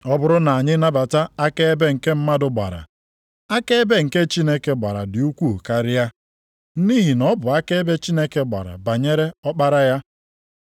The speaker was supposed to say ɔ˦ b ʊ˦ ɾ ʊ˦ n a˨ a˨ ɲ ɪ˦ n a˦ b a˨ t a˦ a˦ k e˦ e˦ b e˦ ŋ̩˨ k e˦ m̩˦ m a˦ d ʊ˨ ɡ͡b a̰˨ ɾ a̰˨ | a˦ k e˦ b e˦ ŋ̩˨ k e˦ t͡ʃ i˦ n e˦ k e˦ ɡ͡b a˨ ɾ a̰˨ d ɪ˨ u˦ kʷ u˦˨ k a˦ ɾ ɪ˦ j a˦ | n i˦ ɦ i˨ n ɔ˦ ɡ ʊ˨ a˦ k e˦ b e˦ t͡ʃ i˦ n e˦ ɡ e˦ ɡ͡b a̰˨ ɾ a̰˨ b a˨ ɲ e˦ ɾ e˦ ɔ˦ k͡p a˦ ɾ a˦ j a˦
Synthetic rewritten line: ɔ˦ b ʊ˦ ɾ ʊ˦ n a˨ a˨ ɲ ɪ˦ n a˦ b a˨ t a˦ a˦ k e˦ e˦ b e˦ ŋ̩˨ k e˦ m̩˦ m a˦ d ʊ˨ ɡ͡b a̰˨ ɾ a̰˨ | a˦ k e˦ b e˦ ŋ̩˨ k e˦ t͡ʃ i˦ n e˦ k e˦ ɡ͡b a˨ ɾ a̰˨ d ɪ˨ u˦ kʷ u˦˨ k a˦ ɾ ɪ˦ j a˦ | n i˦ ɦ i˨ n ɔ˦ b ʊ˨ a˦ k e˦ b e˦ t͡ʃ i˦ n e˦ k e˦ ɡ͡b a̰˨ ɾ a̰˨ b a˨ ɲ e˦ ɾ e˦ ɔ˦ k͡p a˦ ɾ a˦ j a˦